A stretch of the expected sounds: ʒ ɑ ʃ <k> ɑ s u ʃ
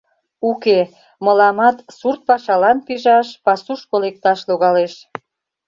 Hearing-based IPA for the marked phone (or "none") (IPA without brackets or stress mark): p